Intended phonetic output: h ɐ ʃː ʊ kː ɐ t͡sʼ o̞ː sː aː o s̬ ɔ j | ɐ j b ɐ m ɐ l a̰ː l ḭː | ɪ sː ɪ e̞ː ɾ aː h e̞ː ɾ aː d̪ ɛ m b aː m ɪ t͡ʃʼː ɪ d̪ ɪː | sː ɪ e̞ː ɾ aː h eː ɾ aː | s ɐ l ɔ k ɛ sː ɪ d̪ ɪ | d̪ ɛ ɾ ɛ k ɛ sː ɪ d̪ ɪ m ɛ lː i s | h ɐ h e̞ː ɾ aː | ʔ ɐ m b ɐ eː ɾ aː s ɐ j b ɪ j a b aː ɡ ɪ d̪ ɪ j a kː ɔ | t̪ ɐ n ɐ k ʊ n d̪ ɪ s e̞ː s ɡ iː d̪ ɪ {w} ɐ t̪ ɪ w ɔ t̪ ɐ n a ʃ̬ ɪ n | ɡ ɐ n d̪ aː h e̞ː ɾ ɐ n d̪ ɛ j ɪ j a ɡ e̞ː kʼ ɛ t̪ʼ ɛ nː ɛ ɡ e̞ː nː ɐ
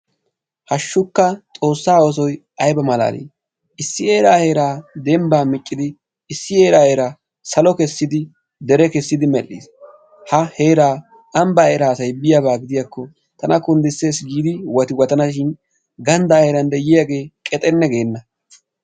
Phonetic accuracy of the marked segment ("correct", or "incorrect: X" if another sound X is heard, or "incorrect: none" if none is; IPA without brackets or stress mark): correct